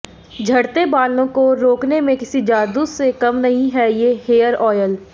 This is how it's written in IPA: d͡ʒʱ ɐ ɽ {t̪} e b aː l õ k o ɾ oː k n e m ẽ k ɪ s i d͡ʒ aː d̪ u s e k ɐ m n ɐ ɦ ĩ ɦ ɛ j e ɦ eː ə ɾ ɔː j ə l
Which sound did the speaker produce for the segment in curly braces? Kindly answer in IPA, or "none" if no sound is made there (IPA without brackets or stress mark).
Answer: t̪